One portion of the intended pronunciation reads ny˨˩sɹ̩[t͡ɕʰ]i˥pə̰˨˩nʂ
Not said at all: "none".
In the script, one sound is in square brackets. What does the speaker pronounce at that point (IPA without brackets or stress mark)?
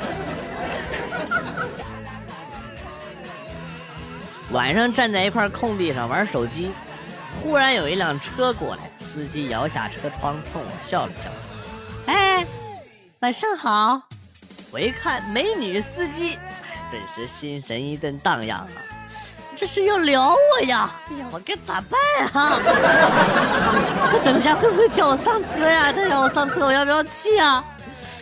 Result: t͡ɕ